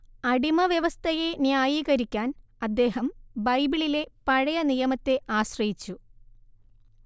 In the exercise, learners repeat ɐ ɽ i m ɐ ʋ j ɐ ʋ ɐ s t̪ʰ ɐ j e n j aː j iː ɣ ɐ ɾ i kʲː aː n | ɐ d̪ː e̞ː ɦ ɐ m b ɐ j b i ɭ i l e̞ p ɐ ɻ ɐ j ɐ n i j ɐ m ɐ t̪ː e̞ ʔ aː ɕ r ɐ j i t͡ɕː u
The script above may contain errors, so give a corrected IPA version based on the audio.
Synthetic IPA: ɐ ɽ i m ɐ ʋ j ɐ ʋ ɐ s t̪ʰ ɐ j e n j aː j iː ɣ ɐ ɾ i kʲː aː n | ɐ d̪ː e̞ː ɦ ɐ m b ɐ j b i ɭ i l e̞ p ɐ ɻ ɐ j ɐ n i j ɐ m ɐ t̪ː e̞ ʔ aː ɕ r ɐ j i t͡ɕː u

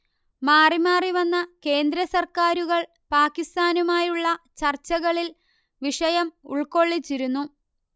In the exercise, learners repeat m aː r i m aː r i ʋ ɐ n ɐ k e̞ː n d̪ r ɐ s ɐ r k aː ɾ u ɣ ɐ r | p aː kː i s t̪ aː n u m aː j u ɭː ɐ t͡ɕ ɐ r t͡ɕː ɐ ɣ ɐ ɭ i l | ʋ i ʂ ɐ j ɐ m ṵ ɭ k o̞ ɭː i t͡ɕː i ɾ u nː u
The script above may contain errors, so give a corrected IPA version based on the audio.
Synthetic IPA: m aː r i m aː r i ʋ ɐ nː ɐ k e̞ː n d̪ ɾ ɐ s ɐ r k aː ɾ u ɣ ɐ ɭ | p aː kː i s t̪ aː n u m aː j u ɭː ɐ t͡ɕ ɐ r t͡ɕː ɐ ɣ ɐ ɭ i l | ʋ i ʂ ɐ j ɐ m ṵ ɭ k o̞ ɭː i t͡ɕː i ɾ u nː u

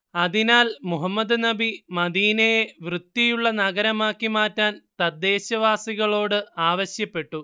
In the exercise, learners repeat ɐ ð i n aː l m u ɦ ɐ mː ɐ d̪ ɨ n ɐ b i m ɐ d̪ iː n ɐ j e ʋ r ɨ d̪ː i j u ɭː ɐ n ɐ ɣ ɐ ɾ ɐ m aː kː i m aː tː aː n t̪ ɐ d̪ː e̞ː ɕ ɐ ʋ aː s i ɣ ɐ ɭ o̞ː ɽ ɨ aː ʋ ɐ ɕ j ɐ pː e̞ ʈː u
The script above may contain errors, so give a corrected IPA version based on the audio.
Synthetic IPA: ɐ ð i n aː l m u ɦ ɐ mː ɐ d̪ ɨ n ɐ b i m ɐ d̪ iː n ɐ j e ʋ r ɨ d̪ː i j u ɭː ɐ n ɐ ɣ ɐ ɾ ɐ m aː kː i m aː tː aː n t̪ ɐ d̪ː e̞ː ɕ ɐ ʋ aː s i ɣ ɐ ɭ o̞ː ɽ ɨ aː ʋ ɐ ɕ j ɐ pː e̞ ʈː u

